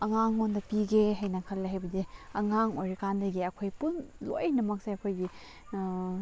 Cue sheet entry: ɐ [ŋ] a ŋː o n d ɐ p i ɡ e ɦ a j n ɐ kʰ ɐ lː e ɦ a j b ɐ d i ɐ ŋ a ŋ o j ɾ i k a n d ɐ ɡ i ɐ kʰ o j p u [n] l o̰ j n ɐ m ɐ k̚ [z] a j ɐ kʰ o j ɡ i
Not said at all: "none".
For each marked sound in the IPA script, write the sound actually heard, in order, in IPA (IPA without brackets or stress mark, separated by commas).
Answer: ŋ, n, s